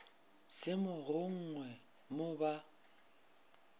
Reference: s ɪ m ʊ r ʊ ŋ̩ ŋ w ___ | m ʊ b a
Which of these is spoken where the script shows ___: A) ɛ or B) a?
A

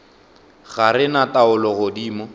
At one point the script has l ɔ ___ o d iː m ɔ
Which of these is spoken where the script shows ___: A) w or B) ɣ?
B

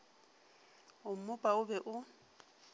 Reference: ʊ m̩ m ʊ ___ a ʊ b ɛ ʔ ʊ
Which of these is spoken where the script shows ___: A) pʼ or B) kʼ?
A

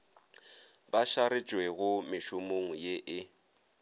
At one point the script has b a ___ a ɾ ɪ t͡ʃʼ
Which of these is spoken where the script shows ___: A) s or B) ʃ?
B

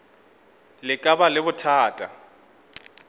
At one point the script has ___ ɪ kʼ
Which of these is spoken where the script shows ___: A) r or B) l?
B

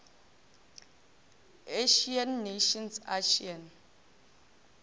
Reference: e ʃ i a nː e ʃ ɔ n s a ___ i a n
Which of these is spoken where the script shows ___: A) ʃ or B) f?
A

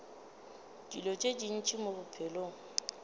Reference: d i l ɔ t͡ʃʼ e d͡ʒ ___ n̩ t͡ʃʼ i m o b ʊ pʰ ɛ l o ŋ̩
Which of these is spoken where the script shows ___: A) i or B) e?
A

